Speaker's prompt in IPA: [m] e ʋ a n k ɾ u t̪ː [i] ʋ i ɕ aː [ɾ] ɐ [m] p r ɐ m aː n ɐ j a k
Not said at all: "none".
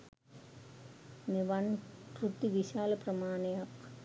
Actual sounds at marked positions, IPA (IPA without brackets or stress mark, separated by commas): n, i, l, none